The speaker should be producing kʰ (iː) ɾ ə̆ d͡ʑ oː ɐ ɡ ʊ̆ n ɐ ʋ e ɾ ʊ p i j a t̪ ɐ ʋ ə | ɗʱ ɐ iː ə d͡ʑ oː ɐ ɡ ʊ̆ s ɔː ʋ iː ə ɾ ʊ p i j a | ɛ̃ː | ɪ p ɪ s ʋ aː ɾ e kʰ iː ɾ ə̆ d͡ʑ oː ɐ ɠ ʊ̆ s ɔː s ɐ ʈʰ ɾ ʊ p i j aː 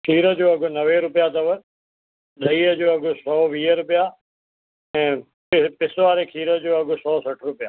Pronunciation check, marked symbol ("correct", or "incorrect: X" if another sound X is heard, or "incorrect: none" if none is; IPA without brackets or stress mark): correct